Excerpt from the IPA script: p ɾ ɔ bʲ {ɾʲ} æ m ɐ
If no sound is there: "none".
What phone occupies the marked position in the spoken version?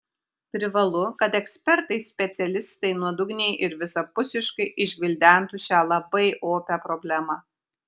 lʲ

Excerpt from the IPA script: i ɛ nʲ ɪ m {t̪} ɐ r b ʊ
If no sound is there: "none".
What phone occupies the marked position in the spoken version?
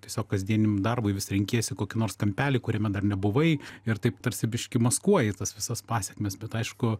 d̪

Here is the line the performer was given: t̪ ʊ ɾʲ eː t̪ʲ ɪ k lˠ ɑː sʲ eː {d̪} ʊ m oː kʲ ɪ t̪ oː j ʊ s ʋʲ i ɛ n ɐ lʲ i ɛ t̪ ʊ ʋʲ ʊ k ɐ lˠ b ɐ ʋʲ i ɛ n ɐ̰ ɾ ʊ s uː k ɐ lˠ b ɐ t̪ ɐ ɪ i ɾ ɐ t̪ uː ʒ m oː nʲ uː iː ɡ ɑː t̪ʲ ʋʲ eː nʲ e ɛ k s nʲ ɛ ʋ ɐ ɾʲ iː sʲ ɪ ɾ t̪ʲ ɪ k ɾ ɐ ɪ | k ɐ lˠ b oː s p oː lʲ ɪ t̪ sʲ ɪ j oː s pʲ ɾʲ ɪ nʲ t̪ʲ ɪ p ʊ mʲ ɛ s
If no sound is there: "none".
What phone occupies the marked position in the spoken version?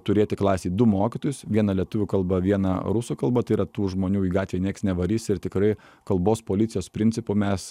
d̪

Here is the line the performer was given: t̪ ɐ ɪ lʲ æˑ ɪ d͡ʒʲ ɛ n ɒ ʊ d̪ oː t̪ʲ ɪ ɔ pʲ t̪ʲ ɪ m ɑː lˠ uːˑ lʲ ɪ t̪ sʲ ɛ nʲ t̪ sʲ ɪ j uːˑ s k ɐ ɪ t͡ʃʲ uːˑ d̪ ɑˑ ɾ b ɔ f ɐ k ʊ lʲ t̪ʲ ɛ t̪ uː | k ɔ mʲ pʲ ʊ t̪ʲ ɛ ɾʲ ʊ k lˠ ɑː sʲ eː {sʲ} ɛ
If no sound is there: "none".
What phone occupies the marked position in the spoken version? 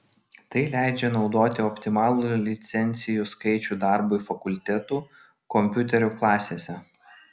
sʲ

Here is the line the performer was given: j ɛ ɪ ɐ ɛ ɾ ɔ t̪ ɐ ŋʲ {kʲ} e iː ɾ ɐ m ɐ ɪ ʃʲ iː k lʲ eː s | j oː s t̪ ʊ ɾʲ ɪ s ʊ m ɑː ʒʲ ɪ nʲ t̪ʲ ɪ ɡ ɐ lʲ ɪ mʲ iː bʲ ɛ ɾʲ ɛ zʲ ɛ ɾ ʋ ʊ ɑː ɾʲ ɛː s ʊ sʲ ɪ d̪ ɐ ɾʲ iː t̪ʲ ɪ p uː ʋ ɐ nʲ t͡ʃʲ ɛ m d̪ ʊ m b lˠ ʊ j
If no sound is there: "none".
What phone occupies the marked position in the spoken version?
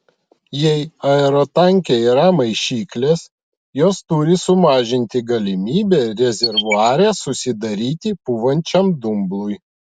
kʲ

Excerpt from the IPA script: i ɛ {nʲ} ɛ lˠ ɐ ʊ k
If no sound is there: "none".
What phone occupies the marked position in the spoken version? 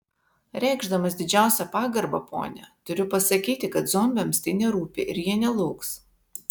nʲ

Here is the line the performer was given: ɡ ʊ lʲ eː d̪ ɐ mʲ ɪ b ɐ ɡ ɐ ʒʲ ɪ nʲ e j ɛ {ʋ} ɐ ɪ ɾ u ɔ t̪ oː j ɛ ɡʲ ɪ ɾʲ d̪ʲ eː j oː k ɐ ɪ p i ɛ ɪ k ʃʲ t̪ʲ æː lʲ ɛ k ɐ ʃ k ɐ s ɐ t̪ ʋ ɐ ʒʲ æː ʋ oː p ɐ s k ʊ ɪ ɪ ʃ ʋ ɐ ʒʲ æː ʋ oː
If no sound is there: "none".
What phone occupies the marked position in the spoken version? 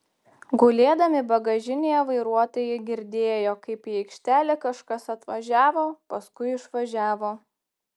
ʋ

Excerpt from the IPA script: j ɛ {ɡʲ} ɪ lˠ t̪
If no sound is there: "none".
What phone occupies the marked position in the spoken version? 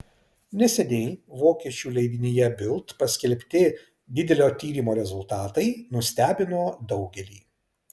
bʲ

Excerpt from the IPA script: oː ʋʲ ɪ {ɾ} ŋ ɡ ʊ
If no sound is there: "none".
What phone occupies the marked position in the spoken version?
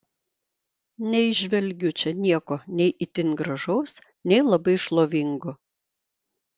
none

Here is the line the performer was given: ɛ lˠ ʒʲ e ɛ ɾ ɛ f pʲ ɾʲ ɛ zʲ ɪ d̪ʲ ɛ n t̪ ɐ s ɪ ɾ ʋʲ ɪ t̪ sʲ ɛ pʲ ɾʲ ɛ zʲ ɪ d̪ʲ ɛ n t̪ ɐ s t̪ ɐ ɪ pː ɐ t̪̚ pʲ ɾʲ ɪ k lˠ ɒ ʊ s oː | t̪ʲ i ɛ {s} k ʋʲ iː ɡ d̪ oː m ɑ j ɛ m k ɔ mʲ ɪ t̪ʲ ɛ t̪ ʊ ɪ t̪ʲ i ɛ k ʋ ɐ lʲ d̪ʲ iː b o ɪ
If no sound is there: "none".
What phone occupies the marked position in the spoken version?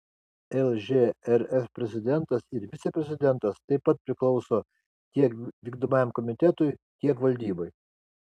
none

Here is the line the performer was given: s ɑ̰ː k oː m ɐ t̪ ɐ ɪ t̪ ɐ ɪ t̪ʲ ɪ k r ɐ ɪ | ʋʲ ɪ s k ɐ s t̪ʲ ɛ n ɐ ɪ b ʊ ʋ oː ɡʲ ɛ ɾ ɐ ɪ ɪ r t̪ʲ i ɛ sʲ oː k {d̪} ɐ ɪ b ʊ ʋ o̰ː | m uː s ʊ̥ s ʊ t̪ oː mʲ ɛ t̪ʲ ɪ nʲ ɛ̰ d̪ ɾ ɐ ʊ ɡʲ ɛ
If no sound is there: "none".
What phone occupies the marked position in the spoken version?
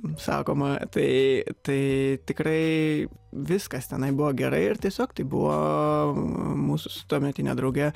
t̪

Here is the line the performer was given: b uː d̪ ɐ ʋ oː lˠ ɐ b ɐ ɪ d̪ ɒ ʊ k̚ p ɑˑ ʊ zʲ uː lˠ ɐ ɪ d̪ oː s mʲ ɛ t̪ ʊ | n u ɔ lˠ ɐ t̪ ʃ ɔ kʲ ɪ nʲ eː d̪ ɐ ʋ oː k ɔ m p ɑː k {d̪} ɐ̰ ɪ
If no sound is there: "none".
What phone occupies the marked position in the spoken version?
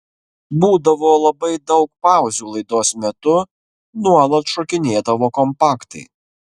t̪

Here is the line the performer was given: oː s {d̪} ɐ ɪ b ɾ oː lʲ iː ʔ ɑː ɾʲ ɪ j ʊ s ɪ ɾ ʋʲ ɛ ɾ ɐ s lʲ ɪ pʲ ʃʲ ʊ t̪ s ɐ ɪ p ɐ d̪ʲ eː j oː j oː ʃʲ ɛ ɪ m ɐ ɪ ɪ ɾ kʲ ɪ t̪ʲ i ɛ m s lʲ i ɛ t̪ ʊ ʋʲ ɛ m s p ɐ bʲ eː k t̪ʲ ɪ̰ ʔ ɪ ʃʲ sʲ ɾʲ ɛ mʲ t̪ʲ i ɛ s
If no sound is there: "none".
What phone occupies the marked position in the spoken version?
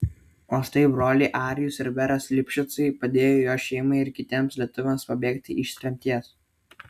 t̪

